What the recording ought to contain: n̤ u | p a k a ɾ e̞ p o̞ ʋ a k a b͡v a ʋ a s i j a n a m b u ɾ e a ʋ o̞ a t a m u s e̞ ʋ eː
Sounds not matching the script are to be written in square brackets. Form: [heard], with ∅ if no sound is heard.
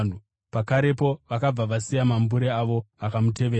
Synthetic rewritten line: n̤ u | p a k a ɾ e̞ p o̞ ʋ a k a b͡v a ʋ a s i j a [m] a m b u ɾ e a ʋ o̞ a [k] a m u [t] e̞ ʋ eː